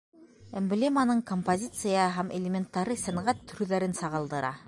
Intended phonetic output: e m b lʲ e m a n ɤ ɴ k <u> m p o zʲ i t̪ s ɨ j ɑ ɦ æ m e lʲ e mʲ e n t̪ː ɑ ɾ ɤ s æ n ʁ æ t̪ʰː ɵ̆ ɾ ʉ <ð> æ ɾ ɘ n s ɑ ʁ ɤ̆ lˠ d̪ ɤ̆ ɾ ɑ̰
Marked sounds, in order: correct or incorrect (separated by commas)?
incorrect, correct